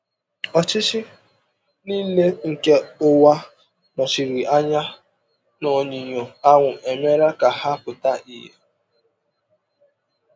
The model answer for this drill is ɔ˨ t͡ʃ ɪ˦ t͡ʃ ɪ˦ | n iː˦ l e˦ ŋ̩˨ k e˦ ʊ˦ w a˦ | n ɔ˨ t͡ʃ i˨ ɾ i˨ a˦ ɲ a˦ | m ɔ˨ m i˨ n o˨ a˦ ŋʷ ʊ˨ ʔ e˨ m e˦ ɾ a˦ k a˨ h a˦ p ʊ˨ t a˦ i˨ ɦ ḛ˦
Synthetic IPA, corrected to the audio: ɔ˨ t͡ʃ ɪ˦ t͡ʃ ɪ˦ | n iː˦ l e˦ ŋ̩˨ k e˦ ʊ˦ w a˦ | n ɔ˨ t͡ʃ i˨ ɾ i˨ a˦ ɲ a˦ | n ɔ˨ ɲ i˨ ɲ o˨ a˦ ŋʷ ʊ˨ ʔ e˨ m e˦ ɾ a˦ k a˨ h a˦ p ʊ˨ t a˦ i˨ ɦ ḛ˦